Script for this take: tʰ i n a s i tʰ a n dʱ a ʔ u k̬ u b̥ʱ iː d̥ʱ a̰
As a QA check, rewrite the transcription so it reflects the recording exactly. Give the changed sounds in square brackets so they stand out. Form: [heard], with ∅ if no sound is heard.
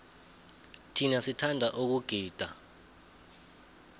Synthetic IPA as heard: tʰ i n a s i tʰ a n dʱ a ʔ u k̬ u [ɡ̥ʱ] iː d̥ʱ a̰